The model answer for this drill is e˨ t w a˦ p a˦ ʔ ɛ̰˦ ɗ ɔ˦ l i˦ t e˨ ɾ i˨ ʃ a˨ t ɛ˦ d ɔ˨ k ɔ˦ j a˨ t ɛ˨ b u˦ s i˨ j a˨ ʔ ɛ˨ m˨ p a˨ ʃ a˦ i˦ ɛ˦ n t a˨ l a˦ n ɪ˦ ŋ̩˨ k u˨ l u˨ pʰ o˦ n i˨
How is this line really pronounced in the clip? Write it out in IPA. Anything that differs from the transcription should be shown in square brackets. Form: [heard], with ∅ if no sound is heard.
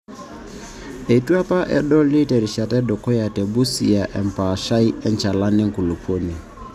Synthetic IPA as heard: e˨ t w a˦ p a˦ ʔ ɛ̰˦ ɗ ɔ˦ l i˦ t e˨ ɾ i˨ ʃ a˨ t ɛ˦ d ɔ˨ k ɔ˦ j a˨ t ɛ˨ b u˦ s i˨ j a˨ ʔ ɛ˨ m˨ p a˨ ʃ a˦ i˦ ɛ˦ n [t͡ʃ] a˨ l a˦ n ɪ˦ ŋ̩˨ k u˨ l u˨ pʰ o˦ n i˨

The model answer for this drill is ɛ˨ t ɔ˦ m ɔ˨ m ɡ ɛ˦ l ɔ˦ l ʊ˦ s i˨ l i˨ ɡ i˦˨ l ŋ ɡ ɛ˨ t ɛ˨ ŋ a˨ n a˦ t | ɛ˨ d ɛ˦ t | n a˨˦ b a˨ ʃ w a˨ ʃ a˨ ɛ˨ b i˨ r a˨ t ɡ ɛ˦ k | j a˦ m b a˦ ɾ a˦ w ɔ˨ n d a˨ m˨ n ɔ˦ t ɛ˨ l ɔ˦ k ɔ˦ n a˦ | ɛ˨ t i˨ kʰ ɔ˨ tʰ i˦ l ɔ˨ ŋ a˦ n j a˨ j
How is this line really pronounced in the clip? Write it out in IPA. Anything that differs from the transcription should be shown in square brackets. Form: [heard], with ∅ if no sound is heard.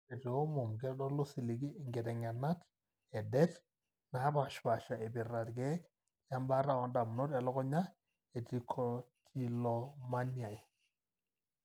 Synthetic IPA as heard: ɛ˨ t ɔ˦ m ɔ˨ m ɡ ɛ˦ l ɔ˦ l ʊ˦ s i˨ l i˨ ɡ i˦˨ [∅] ŋ ɡ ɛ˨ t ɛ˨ ŋ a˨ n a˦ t | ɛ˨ d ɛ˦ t | n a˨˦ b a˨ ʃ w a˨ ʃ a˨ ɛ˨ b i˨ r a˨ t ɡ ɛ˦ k | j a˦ m b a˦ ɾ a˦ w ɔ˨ n d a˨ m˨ n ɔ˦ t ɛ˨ l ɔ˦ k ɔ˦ [ɲ] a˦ | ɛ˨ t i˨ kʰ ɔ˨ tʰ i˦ l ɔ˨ [m] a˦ n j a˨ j

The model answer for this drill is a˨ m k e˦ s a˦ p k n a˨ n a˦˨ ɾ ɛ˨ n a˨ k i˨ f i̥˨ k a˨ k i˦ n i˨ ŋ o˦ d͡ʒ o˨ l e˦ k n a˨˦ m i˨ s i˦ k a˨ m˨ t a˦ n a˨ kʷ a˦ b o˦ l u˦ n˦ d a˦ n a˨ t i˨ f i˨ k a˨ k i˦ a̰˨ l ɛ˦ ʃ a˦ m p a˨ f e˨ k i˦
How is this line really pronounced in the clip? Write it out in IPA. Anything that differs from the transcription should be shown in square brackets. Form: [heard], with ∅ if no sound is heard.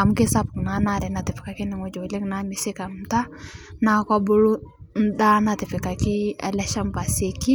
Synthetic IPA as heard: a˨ m k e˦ s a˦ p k n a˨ n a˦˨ ɾ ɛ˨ n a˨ [t] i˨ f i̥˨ k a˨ k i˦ n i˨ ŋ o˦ d͡ʒ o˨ l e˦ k n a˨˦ m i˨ s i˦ k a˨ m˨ t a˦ n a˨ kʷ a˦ b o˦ l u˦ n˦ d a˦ n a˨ t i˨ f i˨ k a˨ k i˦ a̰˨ l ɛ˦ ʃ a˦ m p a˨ [s] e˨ k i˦

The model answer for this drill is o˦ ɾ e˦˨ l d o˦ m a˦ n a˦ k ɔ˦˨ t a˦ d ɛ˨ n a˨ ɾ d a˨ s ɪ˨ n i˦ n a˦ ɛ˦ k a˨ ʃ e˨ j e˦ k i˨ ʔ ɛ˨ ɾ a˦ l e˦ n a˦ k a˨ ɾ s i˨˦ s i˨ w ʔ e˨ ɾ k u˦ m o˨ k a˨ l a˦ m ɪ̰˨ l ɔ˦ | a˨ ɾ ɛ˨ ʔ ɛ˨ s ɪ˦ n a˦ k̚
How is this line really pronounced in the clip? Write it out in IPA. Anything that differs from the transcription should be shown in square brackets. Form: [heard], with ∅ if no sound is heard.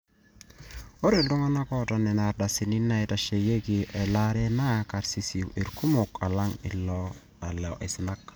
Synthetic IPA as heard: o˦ ɾ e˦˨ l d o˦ [ŋ] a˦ n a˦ k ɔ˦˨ t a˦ [n] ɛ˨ n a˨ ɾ d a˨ s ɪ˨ n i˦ n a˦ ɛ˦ [t] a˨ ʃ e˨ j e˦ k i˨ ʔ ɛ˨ [l] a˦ [ɾ] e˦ n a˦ k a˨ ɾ s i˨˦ s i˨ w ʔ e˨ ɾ k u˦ m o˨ k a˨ l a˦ [ŋ] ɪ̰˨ l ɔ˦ | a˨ [l] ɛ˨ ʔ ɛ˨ s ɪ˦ n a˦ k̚

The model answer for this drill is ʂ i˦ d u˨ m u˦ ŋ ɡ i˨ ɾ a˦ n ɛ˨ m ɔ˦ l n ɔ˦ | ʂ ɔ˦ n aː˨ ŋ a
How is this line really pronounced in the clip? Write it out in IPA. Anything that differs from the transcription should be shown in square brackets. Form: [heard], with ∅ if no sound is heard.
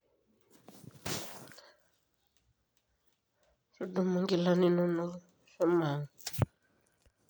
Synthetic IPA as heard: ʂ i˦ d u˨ m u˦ ŋ ɡ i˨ [l] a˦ n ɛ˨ [n] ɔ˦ [∅] n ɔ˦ | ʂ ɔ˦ [m] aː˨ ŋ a

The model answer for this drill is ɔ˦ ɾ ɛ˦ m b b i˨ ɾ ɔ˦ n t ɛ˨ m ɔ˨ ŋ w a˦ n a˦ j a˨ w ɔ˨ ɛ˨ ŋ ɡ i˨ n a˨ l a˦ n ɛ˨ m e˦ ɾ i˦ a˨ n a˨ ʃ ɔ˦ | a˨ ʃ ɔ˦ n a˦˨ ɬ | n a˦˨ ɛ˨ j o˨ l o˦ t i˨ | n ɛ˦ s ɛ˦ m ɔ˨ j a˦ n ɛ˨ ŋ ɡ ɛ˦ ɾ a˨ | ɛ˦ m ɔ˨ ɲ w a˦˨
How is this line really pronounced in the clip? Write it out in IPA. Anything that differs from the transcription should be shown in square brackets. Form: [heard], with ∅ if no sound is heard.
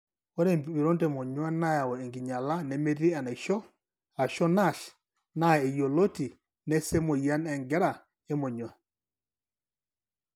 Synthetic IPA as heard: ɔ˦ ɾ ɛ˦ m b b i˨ ɾ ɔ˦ n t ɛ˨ m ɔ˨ [ɲ] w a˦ n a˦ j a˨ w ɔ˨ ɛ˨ ŋ ɡ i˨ [ɲ] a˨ l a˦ n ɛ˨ m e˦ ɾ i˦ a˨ n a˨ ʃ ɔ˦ | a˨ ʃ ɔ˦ n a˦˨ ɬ | n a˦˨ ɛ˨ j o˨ l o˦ t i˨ | n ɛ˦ s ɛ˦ m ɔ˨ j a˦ n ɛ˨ ŋ ɡ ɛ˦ ɾ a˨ | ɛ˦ m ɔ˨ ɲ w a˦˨

